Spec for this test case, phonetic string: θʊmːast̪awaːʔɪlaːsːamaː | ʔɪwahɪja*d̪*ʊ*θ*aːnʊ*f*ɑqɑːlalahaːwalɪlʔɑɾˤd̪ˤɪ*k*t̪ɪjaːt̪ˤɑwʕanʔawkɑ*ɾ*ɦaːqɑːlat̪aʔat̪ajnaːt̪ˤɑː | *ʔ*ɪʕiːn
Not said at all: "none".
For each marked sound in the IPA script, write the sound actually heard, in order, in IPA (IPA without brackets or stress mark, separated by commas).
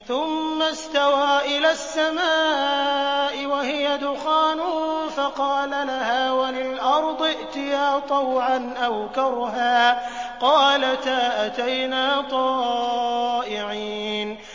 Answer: d̪, x, f, ʔ, ɾ, ʔ